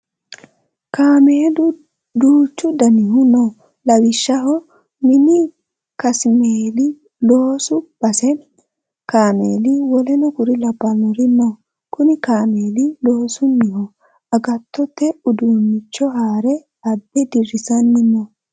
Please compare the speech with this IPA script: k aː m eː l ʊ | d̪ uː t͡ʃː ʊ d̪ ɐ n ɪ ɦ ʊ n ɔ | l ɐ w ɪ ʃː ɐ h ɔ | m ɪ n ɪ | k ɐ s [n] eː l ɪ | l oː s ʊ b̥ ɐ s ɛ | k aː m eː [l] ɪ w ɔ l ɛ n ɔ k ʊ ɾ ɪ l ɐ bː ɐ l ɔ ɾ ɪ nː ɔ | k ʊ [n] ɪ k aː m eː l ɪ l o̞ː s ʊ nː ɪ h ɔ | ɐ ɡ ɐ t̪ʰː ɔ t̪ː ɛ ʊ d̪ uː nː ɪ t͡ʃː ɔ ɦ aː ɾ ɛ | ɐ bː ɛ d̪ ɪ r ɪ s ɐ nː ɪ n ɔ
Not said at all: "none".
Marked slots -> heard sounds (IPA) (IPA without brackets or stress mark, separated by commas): m, l, n